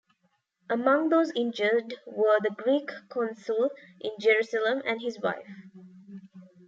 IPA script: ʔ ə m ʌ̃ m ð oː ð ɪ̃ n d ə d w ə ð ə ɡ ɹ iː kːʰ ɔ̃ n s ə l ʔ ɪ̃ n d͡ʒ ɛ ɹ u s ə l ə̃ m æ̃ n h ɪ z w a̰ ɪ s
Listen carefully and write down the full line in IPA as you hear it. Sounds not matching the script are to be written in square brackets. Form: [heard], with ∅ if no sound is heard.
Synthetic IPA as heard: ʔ ə m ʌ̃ [ŋ] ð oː [z] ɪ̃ n [d͡ʒ] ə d w ə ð ə ɡ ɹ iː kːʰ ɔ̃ n s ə l ʔ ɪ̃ n d͡ʒ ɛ ɹ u s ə l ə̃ m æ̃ n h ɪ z w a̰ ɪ [f]